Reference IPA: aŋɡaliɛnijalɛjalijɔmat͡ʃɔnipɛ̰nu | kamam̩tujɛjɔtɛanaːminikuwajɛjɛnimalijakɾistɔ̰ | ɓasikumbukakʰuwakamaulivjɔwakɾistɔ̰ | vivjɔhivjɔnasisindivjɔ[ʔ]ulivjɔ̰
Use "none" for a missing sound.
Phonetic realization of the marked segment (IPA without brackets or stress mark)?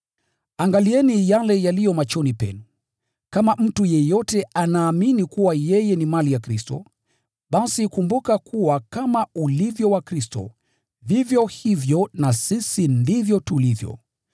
t